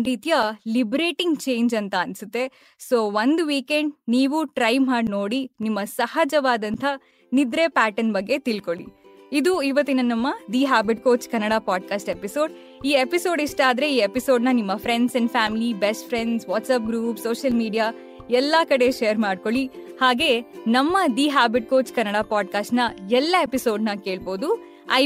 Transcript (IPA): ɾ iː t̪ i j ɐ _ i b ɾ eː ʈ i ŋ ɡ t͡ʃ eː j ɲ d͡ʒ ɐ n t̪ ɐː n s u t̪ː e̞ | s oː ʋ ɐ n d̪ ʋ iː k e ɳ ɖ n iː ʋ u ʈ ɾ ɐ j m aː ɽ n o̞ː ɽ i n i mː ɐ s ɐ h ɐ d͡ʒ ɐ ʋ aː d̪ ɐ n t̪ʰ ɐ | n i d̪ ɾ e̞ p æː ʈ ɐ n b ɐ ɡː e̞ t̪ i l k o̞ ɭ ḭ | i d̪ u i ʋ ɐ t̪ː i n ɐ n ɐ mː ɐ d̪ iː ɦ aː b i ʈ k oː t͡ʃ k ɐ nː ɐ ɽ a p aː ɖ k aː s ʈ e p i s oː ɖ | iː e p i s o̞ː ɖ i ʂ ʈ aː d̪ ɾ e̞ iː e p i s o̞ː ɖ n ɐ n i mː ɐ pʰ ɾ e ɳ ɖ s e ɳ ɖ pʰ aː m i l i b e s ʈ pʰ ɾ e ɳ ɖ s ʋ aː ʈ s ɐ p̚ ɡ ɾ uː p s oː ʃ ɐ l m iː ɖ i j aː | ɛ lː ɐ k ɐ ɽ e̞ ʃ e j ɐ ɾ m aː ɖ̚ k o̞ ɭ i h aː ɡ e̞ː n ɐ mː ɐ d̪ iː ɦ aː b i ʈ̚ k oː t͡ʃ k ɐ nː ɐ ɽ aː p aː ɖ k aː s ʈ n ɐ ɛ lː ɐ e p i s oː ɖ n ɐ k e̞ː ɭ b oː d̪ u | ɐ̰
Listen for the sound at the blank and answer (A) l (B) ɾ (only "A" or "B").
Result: A